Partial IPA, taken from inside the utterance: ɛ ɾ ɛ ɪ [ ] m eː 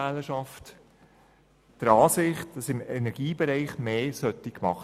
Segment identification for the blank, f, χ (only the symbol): χ